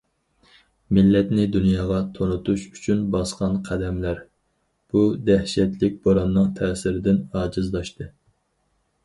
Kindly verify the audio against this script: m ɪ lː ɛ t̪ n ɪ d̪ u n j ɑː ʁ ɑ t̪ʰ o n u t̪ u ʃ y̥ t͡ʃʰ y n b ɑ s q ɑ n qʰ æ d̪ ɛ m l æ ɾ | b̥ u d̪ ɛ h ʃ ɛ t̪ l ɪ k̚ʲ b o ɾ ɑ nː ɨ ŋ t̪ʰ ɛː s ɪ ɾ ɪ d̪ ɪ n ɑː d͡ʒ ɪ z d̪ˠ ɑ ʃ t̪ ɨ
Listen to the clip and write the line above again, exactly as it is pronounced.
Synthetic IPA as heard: m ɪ lː ɛ t̪ n ɪ d̪ u n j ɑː ʁ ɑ t̪ʰ o n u t̪ u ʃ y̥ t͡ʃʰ y n b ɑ s q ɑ n qʰ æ d̪ ɛ m l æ ɾ | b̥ u d̪ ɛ h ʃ ɛ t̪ l ɪ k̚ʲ b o ɾ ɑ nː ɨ ŋ t̪ʰ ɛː s ɪ ɾ ɪ d̪ ɪ n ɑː d͡ʒ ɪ z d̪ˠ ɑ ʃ t̪ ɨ